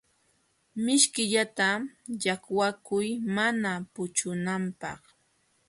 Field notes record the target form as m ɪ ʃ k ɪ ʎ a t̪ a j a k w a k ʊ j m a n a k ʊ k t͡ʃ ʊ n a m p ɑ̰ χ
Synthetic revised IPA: m ɪ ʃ k ɪ ʎ a t̪ a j a k w a k ʊ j m a n a p ʊ t͡ʃ ʊ n a m p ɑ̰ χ